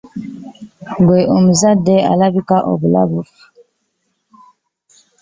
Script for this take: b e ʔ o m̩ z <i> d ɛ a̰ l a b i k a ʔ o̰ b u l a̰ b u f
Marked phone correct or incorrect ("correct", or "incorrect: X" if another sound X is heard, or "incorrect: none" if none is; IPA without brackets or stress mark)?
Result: incorrect: a